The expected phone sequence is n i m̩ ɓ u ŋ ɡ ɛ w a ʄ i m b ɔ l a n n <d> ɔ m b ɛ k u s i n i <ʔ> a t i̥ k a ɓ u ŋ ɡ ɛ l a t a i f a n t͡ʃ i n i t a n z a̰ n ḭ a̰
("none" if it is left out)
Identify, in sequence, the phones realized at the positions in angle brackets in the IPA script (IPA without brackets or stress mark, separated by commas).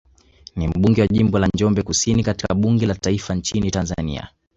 d͡ʒ, k